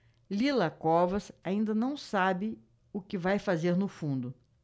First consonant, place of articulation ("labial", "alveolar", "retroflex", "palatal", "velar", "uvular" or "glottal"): alveolar